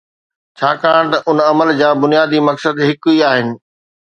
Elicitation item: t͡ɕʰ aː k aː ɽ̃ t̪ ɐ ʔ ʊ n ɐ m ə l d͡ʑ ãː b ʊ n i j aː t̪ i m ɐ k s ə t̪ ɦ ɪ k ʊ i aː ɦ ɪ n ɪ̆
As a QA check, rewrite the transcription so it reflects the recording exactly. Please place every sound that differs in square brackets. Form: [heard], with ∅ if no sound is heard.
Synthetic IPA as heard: t͡ɕʰ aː k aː ɽ̃ t̪ ɐ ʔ ʊ n ɐ m ə l d͡ʑ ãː b ʊ n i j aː [d̪] i m ɐ k s ə [d̪] ɦ ɪ k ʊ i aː ɦ ɪ n ɪ̆